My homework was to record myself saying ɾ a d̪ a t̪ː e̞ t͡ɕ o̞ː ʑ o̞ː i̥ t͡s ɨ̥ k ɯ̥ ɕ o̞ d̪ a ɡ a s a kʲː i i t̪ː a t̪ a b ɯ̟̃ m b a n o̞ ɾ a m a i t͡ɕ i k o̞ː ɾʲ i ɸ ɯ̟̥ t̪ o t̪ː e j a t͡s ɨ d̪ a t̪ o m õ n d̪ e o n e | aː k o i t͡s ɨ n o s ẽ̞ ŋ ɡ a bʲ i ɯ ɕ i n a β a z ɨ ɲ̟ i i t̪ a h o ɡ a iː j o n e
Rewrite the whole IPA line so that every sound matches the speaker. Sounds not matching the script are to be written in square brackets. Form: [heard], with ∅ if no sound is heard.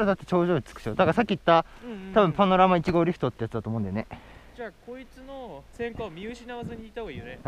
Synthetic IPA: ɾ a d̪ a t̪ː e̞ t͡ɕ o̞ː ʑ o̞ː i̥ t͡s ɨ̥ k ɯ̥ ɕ o̞ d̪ a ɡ a s a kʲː i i t̪ː a t̪ a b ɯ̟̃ m [p] a n o̞ ɾ a m a i t͡ɕ i [ɡ] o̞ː ɾʲ i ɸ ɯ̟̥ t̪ o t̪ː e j a t͡s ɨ d̪ a t̪ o m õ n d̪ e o n e | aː k o i t͡s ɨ n o s ẽ̞ ŋ [k] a [mʲ] i ɯ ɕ i n a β a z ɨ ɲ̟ i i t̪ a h o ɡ a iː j o n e